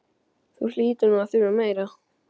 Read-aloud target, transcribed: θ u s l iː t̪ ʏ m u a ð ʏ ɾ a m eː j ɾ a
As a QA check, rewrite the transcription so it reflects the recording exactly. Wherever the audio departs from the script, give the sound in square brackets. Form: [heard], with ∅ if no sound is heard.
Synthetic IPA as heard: θ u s l iː t̪ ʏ [n] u a [θ] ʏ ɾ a m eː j ɾ a